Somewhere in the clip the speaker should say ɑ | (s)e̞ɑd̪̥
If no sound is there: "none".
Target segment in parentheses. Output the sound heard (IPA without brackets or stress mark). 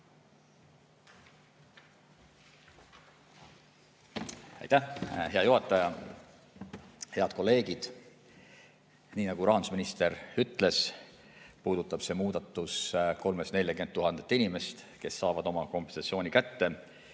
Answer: h